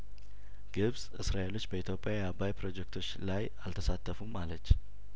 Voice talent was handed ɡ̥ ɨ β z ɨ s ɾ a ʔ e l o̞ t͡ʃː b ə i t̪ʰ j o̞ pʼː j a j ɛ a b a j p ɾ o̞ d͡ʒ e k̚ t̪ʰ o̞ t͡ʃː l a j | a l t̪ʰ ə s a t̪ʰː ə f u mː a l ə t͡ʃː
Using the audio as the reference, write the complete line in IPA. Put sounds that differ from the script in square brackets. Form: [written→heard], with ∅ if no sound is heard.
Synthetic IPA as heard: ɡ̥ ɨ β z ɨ s ɾ a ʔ e l o̞ t͡ʃː b ə i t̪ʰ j o̞ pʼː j a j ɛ a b a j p ɾ o̞ d͡ʒ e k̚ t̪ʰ o̞ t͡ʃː l a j | a l t̪ʰ ə s a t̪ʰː ə f u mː a l ə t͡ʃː